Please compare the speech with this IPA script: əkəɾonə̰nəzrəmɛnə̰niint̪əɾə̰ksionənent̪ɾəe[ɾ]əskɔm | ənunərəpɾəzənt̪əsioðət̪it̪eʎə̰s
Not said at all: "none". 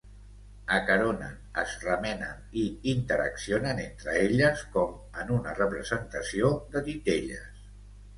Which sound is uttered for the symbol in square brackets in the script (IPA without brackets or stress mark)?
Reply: ʎ